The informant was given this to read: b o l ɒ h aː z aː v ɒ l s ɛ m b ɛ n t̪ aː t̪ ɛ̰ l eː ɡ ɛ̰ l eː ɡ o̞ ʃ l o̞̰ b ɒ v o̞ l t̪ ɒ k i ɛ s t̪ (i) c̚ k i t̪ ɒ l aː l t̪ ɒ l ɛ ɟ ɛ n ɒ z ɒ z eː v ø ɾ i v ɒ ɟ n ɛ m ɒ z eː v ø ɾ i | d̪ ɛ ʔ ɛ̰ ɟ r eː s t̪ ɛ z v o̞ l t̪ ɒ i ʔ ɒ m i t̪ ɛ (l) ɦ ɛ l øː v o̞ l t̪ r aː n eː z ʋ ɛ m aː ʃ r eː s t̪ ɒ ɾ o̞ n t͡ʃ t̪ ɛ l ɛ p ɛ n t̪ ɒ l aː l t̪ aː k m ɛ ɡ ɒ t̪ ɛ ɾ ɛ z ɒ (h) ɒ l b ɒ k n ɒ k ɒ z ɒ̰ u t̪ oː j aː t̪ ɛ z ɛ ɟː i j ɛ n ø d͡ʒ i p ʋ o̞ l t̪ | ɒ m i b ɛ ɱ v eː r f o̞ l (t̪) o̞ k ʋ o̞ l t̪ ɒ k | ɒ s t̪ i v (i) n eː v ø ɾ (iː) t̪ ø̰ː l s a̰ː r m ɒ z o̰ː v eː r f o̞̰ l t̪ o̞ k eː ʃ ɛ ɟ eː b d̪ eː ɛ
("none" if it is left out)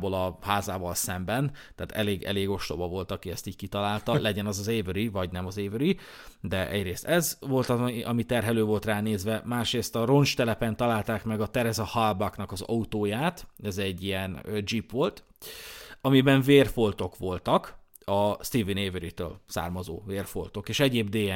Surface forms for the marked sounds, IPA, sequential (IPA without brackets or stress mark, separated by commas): iː, r, h, t̪, i, i